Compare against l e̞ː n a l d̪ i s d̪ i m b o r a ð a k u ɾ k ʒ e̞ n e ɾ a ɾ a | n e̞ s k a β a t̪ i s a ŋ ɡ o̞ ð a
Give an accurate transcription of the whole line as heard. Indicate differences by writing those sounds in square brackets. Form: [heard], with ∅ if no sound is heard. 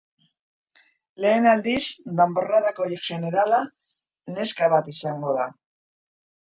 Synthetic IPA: l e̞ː n a l d̪ i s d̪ [a] m b o r a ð a k [o] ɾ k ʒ e̞ n e ɾ a [l] a | n e̞ s k a β a t̪ i s a ŋ ɡ o̞ ð a